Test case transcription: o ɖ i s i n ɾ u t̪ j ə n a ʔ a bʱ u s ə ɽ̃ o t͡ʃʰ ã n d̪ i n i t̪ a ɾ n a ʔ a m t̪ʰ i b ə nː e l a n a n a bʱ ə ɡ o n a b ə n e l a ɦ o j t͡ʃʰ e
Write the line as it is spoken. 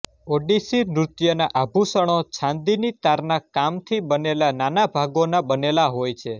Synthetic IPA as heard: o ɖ i s i n ɾ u t̪ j ə n a ʔ a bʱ u s ə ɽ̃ o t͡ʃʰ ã n d̪ i n i t̪ a ɾ n a k a m t̪ʰ i b ə n e l a n a n a bʱ a ɡ o n a b ə n e l a ɦ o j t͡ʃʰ e